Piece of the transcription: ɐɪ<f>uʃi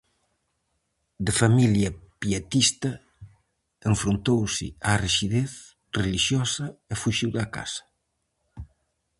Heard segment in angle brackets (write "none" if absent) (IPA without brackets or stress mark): f